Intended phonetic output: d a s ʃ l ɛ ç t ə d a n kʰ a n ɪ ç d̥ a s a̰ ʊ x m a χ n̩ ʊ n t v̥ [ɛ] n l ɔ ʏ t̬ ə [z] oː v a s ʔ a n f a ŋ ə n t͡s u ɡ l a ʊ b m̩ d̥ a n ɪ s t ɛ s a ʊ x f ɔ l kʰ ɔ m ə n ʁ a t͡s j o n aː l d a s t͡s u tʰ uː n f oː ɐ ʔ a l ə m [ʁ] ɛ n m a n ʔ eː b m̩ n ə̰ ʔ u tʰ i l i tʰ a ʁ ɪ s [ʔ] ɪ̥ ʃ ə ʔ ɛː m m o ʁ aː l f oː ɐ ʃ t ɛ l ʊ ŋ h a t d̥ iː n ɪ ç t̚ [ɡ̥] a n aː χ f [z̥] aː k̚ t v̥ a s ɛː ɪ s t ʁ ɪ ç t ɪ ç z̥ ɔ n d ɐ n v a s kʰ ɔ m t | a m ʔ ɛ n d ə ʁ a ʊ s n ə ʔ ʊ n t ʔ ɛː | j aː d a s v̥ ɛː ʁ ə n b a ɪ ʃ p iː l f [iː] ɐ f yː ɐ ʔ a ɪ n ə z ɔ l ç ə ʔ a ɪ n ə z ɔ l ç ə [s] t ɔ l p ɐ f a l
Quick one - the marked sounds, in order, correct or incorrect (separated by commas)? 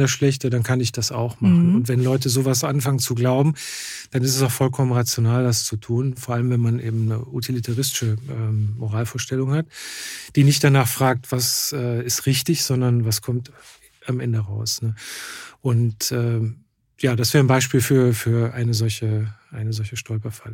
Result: correct, correct, incorrect, incorrect, incorrect, incorrect, incorrect, incorrect